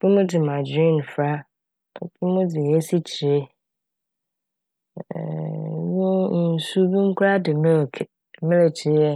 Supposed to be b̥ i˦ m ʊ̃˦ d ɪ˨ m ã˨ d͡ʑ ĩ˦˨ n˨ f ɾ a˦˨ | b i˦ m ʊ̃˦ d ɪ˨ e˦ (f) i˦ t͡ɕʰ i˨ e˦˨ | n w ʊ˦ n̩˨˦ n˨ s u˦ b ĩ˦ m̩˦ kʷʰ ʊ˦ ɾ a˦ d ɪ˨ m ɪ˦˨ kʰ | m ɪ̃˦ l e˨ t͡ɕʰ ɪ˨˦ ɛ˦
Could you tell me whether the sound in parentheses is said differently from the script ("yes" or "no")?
yes